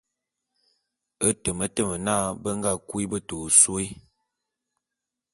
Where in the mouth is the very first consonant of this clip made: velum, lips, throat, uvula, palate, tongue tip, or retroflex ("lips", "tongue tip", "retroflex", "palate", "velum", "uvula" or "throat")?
tongue tip